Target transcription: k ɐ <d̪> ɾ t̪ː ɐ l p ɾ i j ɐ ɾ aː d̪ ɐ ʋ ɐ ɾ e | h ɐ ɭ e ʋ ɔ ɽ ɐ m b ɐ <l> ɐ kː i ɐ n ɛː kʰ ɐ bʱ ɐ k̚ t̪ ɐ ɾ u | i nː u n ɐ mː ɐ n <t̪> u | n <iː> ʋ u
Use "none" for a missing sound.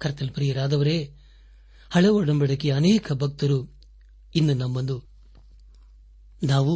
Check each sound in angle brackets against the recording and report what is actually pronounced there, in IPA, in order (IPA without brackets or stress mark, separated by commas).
none, ɽ, d̪, aː